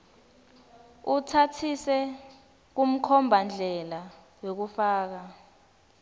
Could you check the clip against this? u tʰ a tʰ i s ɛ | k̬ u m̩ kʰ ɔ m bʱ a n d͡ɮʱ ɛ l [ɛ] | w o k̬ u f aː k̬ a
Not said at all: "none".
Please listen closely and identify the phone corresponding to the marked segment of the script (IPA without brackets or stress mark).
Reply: a